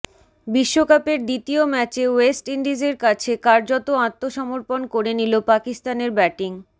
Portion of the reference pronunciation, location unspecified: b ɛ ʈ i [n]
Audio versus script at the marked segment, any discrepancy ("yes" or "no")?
yes